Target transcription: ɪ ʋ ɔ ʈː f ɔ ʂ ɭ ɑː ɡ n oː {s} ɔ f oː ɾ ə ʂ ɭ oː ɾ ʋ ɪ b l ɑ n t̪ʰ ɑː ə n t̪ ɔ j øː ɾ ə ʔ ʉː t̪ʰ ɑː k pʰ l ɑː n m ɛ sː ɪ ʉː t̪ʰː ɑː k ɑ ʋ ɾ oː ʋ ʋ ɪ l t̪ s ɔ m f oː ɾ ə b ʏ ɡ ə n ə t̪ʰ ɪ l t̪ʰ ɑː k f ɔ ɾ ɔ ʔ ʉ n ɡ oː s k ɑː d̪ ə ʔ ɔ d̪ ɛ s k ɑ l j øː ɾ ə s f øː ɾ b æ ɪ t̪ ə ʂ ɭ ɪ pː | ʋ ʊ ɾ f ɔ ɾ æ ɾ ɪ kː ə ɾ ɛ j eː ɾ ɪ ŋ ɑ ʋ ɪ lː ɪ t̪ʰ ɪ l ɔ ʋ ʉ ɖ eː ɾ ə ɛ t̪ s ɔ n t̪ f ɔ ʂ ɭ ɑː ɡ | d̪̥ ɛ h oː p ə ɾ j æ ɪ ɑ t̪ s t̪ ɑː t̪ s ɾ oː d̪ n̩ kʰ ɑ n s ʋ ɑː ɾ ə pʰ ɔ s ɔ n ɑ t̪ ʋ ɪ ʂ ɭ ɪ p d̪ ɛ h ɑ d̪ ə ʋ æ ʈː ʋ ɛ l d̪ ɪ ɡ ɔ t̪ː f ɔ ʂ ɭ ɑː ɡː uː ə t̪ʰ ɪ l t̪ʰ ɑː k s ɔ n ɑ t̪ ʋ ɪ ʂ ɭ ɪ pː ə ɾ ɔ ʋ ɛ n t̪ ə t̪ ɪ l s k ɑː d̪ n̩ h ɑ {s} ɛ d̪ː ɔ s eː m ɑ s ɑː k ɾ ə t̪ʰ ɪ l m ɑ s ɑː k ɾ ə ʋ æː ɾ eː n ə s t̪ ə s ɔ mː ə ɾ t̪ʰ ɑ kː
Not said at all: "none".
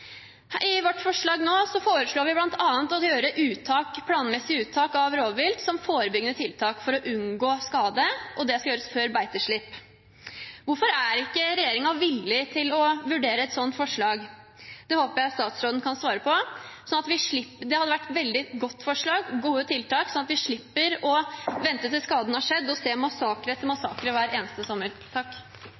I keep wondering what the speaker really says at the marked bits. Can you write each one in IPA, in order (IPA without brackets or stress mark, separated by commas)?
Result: s, ʂ